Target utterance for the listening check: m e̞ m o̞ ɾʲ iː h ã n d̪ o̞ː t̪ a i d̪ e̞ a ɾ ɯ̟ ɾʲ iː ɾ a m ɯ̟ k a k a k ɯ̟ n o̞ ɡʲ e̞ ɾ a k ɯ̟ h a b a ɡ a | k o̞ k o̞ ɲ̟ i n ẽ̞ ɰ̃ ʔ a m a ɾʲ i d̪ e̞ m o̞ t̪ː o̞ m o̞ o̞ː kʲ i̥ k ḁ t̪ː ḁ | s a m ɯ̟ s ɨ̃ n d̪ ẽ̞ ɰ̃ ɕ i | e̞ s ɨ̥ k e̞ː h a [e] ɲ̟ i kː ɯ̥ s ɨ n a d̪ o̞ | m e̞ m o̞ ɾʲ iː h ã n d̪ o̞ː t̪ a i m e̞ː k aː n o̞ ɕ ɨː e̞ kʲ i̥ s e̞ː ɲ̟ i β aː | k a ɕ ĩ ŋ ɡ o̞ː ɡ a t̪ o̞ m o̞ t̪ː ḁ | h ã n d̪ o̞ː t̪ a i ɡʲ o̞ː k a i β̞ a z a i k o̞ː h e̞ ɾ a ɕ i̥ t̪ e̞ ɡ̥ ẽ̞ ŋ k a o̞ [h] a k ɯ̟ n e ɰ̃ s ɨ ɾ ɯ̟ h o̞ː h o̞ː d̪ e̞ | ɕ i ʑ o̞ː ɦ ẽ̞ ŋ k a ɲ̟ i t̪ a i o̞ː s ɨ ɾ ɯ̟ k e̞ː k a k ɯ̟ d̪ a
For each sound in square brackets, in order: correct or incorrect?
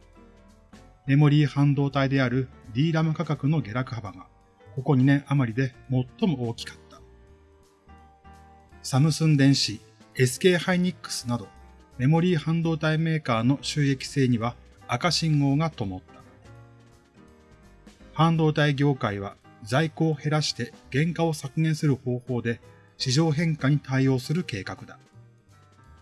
incorrect: i, incorrect: s

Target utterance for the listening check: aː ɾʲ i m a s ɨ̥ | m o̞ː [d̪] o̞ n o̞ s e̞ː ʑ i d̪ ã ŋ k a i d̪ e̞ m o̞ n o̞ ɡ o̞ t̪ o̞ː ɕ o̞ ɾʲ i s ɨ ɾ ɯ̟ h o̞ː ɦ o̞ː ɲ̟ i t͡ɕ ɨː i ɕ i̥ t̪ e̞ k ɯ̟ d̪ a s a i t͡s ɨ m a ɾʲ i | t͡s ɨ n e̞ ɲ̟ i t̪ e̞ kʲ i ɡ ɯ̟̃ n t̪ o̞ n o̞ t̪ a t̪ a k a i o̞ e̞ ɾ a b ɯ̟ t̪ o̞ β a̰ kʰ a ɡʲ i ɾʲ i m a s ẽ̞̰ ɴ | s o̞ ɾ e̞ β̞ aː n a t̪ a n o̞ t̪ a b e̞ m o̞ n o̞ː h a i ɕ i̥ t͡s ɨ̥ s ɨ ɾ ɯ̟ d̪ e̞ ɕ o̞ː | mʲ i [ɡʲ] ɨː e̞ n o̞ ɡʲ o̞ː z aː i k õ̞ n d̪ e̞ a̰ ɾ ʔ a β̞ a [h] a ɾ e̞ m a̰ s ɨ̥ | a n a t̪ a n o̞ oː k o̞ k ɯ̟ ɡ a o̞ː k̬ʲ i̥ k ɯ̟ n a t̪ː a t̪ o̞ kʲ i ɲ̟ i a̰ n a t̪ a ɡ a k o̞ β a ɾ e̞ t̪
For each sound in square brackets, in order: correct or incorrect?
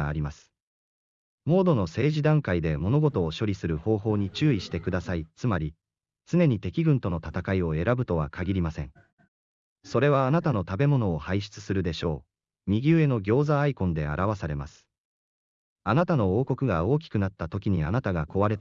correct, correct, incorrect: s

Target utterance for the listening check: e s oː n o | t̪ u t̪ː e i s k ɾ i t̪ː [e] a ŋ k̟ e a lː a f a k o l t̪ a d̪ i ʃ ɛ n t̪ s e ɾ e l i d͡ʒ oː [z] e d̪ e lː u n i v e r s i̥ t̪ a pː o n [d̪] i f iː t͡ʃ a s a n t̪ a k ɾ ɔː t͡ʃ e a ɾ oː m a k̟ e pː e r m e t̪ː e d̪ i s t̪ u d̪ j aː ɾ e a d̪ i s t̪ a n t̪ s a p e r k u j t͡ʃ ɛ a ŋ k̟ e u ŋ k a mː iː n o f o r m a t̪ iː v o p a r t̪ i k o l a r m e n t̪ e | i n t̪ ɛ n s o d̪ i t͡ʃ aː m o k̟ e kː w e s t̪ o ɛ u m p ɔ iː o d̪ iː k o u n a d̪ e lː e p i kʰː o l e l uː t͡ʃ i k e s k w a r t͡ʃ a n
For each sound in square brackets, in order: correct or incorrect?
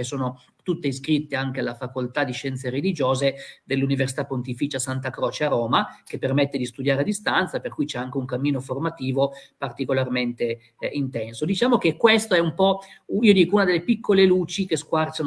correct, correct, incorrect: t̪

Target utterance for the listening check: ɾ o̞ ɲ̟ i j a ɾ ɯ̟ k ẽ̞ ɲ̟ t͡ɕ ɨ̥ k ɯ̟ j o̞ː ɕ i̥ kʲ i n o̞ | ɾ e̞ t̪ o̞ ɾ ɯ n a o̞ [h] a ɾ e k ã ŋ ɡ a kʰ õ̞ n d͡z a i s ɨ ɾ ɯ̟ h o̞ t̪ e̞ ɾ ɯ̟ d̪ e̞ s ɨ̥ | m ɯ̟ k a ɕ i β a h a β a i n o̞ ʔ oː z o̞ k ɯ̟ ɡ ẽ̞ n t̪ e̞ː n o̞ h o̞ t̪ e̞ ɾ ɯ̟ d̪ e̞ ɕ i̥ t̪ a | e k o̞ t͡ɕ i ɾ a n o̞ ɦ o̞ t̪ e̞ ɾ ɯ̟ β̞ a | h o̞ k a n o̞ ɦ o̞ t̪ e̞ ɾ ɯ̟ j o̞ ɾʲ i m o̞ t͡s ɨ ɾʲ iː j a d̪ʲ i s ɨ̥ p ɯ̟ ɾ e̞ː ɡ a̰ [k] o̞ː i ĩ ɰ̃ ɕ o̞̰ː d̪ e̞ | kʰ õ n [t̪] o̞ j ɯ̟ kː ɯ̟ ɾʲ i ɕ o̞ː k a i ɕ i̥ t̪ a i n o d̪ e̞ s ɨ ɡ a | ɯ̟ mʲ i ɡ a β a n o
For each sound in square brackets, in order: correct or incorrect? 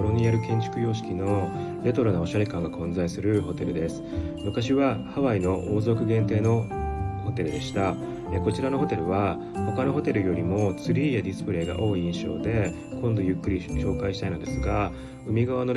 incorrect: ɕ, incorrect: ʔ, incorrect: d̪

